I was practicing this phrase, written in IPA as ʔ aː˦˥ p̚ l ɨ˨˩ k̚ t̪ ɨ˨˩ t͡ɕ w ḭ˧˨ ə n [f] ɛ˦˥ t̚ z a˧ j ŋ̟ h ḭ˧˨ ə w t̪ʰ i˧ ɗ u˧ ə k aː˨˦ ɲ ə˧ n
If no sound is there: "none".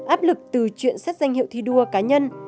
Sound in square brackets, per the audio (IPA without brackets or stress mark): s